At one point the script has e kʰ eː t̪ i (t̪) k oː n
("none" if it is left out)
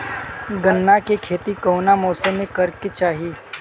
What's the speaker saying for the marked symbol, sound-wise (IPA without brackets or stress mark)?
none